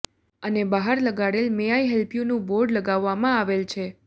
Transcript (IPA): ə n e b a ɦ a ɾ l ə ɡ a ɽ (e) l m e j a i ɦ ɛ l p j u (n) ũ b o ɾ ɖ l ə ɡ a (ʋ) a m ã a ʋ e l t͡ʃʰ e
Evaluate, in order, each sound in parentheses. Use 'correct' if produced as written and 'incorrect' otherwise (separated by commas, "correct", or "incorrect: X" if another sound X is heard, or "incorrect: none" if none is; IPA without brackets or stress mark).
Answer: correct, correct, incorrect: ʋː